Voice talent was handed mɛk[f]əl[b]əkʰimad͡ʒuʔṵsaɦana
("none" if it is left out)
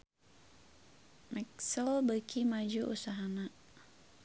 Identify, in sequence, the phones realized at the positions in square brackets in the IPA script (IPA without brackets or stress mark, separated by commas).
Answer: s, b